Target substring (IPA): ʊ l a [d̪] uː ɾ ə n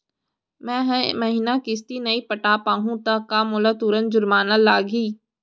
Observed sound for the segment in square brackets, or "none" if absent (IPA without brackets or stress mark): t̪